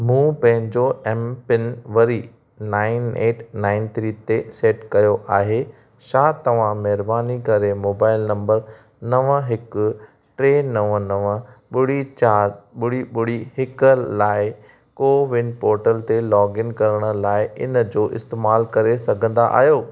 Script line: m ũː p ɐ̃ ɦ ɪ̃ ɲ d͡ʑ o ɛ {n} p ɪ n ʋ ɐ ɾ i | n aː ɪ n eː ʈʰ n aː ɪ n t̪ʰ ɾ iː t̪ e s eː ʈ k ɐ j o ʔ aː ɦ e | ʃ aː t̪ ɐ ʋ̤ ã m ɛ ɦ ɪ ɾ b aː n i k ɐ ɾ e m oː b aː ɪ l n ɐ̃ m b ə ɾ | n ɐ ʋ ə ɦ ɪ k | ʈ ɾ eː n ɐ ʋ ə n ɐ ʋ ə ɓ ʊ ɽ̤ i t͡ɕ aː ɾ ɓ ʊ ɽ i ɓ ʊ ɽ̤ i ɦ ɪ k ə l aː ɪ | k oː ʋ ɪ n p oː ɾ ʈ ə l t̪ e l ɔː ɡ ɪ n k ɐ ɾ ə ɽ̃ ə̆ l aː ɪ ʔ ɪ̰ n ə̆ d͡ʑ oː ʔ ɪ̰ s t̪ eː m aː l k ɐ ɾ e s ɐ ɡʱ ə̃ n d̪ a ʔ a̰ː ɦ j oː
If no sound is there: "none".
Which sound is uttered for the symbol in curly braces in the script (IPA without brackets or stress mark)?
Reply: m